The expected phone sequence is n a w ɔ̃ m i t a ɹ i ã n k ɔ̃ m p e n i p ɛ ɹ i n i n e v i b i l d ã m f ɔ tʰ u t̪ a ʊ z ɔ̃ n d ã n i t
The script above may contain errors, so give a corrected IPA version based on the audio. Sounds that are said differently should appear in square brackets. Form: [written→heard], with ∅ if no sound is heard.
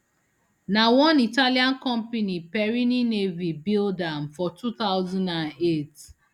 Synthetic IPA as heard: n a w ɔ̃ [m→n] i t a [ɹ→l] i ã n k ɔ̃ m p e n i p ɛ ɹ i n i n e v i b i l d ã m f ɔ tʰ u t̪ a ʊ z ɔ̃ n d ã n [i→e] t

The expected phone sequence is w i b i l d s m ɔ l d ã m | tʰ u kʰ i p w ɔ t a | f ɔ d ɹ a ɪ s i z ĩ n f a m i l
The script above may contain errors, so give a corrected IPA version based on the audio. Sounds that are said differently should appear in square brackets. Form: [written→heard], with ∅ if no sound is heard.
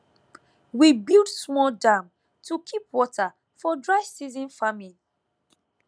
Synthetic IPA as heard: w i b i l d s m ɔ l d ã m | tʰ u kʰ i p w ɔ t a | f ɔ d ɹ a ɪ s i z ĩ n f a m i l

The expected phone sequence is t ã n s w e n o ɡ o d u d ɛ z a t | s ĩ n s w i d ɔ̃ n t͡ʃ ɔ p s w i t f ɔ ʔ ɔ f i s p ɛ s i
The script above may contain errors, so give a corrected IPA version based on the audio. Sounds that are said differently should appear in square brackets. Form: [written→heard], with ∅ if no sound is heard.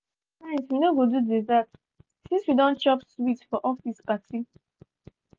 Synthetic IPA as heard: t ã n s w [e→i] n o ɡ o d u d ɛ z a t | s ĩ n s w i d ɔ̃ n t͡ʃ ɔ p s w i t f ɔ ʔ ɔ f i s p [ɛ→a] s i

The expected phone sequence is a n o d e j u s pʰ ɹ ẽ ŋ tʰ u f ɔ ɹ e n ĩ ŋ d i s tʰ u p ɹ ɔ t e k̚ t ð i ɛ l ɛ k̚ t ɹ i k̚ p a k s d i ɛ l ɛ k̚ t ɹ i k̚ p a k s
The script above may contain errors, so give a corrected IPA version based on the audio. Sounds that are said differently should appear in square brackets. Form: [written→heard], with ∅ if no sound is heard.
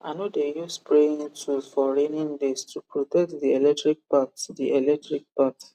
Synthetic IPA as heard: a n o d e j u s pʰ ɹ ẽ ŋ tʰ u f ɔ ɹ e n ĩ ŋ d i s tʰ u p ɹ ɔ t [e→ɛ] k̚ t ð i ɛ l ɛ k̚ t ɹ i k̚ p a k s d i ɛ l ɛ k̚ t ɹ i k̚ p a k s

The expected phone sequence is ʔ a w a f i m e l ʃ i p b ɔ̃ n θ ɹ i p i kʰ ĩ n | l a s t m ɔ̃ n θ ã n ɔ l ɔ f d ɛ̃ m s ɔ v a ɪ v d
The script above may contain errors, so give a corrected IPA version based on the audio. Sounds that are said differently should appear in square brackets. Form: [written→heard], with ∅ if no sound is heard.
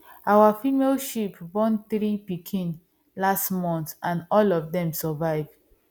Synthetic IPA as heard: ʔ a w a f i m e l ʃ i p b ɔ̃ n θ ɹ i p i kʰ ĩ n | l a s t m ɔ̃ n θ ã n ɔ l ɔ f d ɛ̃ m s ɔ v a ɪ v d

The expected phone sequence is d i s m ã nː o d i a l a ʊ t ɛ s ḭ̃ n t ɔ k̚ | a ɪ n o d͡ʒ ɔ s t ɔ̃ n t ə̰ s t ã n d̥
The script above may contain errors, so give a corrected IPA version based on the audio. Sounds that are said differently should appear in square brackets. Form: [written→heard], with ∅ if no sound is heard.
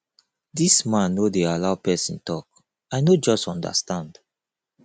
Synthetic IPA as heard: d i s m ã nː o d [i→e] a l a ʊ [t→p] ɛ s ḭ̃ n t ɔ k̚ | a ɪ n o d͡ʒ ɔ s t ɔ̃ n [t→d] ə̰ s t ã n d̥

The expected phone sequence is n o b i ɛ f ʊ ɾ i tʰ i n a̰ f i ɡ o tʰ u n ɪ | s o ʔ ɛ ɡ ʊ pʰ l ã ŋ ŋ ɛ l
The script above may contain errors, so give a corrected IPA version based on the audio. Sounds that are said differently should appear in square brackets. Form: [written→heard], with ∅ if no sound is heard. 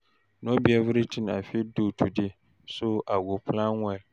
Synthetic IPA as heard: n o b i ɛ [f→v] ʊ ɾ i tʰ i n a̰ f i [ɡ→d] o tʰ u [n→d] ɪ | s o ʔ [ɛ→a] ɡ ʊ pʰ l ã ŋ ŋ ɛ l

